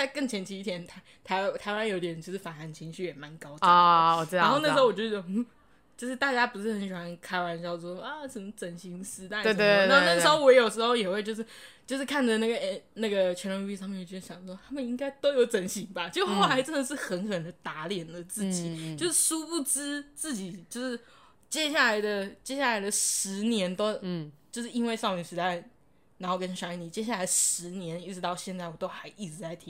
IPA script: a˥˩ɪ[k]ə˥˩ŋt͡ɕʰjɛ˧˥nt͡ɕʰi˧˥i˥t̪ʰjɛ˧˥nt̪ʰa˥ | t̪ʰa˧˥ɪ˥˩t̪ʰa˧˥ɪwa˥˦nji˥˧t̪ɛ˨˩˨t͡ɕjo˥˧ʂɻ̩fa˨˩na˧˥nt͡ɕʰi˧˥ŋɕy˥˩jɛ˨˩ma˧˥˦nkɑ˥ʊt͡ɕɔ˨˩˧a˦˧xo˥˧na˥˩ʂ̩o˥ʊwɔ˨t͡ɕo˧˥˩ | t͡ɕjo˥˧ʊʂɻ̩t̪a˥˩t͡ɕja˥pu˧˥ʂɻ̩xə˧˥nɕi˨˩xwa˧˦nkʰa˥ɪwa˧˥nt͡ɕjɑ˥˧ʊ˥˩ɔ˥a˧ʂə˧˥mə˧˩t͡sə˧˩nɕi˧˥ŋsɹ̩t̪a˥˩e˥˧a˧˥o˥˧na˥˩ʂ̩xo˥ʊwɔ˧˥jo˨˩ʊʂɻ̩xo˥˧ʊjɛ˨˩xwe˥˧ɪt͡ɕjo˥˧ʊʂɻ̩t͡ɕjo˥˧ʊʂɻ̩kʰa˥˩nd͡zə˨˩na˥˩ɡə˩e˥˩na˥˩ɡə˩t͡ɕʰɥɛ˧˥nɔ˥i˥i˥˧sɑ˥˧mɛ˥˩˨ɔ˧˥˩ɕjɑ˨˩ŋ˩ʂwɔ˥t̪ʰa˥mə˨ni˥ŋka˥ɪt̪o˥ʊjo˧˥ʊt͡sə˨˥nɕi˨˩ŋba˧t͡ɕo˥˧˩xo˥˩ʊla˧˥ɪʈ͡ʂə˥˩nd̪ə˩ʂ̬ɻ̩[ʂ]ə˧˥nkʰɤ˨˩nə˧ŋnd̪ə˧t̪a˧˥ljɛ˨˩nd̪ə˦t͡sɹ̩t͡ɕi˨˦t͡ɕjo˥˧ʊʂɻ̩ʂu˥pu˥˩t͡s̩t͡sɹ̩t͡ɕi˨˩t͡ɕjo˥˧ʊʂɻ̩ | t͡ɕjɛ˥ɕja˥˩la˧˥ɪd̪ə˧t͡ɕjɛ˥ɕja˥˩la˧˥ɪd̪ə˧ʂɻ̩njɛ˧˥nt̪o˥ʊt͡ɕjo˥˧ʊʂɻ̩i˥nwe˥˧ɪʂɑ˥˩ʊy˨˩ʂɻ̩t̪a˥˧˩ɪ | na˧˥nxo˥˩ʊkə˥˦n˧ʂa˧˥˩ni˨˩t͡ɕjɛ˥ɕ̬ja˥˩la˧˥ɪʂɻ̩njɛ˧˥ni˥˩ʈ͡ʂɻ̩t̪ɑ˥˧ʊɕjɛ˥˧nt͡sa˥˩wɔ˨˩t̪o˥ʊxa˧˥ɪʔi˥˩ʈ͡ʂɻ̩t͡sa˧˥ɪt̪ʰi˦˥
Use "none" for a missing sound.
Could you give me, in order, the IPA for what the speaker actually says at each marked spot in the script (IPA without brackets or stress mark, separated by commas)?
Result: k, x